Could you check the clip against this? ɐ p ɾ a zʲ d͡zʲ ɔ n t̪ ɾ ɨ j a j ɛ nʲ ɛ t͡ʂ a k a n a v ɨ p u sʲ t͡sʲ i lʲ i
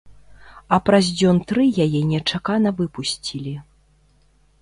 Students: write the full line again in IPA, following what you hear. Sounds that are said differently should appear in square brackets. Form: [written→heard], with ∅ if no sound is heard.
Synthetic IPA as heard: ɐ p ɾ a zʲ d͡zʲ ɔ n t̪ ɾ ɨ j a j ɛ nʲ ɛ t͡ʂ a k a n [a→ɐ] v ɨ p u sʲ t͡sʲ i lʲ i